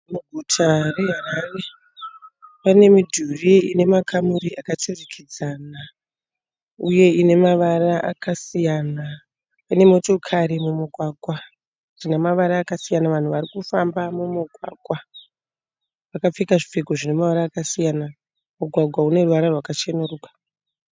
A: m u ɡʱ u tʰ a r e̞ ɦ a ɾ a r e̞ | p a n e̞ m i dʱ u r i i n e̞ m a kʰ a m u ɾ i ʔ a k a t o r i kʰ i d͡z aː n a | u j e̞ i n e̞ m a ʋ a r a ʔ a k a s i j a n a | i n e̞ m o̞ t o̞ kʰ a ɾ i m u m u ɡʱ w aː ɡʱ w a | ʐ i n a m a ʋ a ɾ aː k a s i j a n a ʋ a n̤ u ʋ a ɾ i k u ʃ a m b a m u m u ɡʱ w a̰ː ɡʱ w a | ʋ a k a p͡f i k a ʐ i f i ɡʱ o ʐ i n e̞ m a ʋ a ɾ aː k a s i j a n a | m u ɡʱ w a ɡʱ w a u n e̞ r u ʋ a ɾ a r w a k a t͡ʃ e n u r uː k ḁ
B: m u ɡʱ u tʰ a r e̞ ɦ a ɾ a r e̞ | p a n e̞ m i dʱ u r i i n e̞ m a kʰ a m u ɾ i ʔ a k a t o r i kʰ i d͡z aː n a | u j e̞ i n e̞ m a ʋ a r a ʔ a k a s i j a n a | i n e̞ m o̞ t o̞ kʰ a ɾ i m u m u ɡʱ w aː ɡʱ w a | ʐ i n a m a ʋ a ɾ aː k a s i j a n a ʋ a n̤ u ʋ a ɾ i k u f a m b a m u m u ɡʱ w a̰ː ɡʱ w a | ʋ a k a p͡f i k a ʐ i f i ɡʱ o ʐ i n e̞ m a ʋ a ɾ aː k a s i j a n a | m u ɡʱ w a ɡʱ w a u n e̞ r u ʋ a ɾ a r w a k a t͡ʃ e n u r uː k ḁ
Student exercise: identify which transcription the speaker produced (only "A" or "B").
B